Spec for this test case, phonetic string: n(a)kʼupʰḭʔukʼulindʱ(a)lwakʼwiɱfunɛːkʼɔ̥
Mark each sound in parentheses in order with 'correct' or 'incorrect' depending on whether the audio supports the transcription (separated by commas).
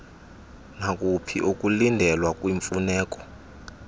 correct, incorrect